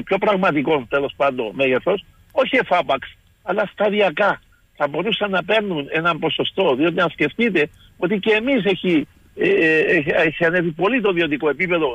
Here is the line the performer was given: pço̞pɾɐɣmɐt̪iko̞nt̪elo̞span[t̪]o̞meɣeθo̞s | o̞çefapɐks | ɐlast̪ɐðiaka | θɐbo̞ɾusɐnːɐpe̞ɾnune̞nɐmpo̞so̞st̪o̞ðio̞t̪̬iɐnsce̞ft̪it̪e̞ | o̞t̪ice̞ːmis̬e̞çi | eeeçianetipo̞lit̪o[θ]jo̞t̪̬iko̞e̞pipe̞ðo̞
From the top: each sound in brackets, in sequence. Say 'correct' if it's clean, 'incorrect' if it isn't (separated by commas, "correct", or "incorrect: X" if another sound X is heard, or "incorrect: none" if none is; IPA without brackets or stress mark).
incorrect: d̪, incorrect: ð